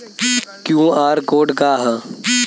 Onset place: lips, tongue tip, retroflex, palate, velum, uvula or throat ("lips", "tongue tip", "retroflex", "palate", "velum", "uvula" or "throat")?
velum